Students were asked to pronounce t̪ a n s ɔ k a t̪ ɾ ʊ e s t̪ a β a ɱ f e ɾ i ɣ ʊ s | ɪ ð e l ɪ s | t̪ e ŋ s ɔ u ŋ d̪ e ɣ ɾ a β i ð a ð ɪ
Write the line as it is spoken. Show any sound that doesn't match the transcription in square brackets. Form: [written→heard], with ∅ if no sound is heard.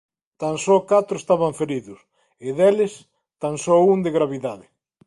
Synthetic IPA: t̪ a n s ɔ k a t̪ ɾ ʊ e s t̪ a β a ɱ f e ɾ i [ɣ→ð] ʊ s | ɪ ð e l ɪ s | t̪ [e→a] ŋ s ɔ u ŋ d̪ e ɣ ɾ a β i ð a ð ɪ